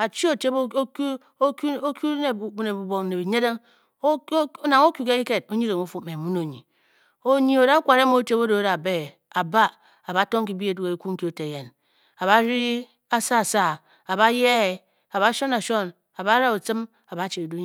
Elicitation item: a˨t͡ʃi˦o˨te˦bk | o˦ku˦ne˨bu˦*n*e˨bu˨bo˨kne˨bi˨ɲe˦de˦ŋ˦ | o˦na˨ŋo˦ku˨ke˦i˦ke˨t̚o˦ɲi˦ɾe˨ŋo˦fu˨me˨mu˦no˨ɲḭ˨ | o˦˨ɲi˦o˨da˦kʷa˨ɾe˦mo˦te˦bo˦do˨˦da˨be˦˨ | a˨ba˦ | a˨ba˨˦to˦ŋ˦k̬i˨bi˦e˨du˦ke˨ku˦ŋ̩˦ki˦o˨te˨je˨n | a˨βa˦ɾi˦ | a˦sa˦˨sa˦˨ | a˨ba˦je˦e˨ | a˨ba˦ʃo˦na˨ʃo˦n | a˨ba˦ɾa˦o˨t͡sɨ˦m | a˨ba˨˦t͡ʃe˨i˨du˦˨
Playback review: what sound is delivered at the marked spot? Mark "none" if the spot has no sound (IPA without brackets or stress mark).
n